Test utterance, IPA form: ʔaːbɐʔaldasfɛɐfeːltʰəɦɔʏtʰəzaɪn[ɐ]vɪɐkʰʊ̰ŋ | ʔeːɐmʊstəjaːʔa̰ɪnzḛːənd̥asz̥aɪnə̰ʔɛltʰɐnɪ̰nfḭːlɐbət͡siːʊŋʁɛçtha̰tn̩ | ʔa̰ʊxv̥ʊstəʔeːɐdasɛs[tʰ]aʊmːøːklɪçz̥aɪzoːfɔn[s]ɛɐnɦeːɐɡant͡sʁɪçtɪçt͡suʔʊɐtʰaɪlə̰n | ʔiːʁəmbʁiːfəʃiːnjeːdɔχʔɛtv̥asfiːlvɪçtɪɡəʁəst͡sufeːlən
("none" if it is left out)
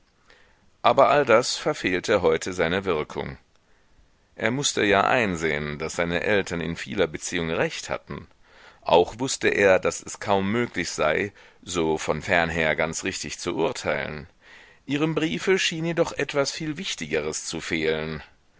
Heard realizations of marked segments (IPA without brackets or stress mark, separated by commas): ə, kʰ, f